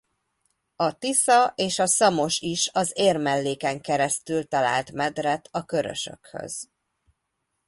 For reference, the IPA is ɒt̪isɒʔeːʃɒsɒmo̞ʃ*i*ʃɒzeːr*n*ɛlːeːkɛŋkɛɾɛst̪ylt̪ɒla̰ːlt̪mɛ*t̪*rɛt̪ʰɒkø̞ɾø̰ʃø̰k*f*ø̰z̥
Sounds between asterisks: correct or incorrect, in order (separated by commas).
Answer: correct, incorrect, incorrect, incorrect